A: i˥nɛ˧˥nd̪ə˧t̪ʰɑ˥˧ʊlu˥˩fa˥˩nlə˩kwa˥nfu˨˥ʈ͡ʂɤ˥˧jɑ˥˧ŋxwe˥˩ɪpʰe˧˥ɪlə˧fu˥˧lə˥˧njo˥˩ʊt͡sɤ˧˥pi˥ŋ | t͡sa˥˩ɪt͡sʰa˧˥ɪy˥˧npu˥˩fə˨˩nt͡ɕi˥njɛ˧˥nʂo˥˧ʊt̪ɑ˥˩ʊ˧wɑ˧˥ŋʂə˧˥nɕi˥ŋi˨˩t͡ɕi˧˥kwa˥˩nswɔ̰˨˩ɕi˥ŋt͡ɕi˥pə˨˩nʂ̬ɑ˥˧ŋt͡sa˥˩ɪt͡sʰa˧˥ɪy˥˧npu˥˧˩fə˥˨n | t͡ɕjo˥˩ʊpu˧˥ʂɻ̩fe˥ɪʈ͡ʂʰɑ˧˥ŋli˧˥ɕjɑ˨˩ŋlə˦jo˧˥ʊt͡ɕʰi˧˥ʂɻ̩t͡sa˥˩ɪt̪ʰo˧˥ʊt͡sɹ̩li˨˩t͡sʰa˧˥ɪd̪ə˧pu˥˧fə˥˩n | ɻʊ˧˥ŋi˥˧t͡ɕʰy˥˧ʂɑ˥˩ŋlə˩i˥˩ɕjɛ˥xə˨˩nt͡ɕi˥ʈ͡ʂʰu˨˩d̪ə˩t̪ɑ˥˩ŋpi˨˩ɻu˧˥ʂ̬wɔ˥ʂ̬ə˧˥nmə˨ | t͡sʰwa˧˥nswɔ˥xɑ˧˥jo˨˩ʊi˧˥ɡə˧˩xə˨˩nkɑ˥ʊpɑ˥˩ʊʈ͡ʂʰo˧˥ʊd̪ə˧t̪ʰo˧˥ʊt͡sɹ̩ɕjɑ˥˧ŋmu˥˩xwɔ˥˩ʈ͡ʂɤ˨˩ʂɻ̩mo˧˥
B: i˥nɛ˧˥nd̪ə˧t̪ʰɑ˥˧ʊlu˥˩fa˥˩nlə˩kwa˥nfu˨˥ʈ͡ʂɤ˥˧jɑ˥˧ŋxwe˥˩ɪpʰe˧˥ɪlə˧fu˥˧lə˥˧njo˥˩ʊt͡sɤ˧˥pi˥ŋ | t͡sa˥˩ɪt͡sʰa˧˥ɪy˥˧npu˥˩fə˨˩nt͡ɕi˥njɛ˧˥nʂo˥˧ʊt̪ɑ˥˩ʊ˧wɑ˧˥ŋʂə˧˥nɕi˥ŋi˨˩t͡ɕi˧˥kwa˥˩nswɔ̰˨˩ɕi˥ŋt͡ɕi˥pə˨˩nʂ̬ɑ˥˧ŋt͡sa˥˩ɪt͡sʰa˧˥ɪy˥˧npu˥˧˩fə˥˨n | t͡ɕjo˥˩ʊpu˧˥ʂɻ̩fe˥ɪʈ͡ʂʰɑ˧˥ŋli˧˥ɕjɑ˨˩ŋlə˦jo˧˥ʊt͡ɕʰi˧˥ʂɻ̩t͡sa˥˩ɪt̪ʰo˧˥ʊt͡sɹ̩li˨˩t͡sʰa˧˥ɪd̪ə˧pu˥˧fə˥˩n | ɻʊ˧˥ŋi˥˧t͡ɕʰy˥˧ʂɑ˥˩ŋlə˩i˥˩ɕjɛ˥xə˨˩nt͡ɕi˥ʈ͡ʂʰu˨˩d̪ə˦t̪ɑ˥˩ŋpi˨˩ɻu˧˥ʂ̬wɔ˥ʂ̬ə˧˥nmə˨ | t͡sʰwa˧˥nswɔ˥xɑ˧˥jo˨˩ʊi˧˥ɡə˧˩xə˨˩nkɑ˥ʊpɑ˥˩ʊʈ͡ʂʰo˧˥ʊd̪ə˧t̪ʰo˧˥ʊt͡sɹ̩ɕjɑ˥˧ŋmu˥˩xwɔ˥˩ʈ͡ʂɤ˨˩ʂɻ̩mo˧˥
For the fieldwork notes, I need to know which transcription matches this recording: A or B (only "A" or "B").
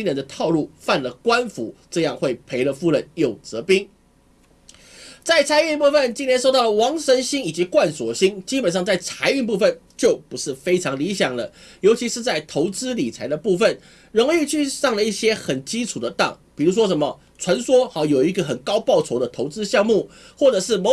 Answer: B